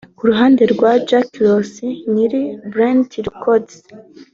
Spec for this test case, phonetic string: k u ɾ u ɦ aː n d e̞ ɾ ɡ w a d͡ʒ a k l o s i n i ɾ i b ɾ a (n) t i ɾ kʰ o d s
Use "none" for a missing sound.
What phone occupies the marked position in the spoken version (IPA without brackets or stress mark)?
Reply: n